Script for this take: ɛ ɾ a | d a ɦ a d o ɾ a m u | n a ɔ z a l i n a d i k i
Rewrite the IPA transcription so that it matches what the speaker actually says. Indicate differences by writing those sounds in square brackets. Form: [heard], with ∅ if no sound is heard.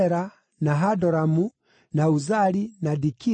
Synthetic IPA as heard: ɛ ɾ a | [n] a ɦ a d [ɔ] ɾ a m u | n a [u] z a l i n a d i k i